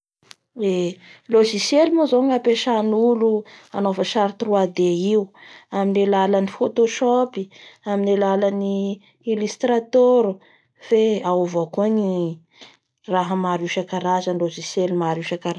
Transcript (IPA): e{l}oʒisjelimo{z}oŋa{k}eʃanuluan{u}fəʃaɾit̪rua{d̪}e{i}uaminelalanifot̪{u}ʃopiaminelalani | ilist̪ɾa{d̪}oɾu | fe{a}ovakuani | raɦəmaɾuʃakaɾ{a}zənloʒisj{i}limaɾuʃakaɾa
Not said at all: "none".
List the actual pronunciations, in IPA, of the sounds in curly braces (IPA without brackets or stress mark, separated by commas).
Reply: l, z, p, o, d̪, i, o, t̪, a, a, e